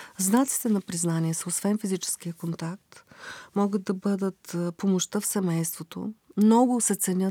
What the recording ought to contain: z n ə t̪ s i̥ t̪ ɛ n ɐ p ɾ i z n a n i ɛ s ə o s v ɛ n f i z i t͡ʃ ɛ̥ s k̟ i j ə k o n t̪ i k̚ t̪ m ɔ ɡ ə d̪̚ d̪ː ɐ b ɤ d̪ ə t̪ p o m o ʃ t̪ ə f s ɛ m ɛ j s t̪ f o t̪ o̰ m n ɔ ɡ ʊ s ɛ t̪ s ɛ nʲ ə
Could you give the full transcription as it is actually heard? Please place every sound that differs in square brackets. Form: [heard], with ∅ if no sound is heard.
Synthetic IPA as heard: z n [a] t̪ s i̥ t̪ ɛ n ɐ p ɾ i z n a n i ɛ s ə o s v ɛ n f i z i t͡ʃ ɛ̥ s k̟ i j ə k o n t̪ [a] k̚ t̪ m ɔ ɡ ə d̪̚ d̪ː ɐ b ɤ d̪ ə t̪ p o m o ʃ t̪ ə f s ɛ m ɛ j s t̪ [v] o t̪ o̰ m n ɔ ɡ ʊ s ɛ t̪ s ɛ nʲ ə